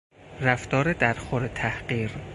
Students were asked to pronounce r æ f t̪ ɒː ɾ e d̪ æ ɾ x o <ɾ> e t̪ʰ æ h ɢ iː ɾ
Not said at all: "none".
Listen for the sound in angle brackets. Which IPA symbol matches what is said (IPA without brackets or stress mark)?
ɾ